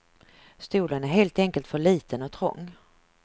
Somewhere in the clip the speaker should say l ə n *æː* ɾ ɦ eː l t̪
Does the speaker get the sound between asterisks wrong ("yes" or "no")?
yes